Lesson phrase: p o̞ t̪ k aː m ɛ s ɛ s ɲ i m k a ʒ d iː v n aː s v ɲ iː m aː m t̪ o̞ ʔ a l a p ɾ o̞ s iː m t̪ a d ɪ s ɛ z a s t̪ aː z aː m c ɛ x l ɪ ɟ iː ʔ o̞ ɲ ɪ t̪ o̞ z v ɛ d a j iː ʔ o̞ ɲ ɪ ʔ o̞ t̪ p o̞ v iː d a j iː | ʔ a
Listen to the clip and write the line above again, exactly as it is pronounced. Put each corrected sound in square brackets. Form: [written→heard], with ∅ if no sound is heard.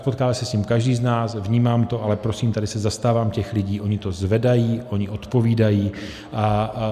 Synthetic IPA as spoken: p o̞ t̪ k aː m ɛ s ɛ s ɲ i m k a ʒ d iː [v→z] n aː s v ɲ iː m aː m t̪ o̞ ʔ a l [a→ɛ] p ɾ o̞ s iː m t̪ a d ɪ s ɛ z a s t̪ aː [z→v] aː m c ɛ x l ɪ ɟ iː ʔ o̞ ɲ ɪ t̪ o̞ z v ɛ d a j iː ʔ o̞ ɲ ɪ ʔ o̞ t̪ p o̞ v iː d a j iː | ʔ a